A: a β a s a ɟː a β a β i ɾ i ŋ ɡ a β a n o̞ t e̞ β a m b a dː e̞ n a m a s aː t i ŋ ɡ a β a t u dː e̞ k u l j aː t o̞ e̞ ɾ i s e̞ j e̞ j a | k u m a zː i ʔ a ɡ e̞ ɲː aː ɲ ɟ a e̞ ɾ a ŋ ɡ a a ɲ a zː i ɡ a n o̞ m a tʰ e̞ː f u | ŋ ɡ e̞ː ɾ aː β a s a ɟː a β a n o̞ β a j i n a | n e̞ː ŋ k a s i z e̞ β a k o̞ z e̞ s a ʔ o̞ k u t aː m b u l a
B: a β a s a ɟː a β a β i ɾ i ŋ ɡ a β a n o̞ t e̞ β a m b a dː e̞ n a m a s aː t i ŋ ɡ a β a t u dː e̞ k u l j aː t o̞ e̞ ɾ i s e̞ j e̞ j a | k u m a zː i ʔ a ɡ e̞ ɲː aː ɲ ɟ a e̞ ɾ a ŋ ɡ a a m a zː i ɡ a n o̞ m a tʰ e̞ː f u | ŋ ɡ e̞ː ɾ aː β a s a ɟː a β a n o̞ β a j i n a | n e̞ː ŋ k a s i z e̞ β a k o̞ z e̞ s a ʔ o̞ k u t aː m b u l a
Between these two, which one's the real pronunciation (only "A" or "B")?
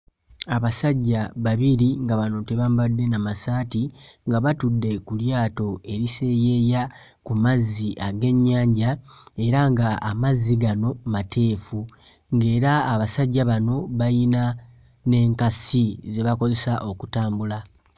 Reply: B